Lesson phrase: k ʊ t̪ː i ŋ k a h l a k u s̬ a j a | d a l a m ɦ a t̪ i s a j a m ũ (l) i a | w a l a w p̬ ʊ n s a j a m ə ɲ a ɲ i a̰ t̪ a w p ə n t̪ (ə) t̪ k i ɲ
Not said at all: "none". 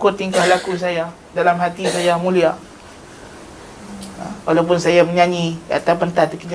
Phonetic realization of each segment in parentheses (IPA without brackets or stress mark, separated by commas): l, a